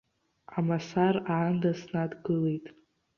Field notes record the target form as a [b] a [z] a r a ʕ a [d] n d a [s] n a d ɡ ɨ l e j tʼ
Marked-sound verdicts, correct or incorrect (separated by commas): incorrect, incorrect, incorrect, correct